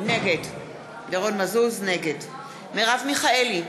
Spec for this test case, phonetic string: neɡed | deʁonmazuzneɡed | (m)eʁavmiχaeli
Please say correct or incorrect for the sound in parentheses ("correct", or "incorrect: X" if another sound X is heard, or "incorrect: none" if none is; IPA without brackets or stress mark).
correct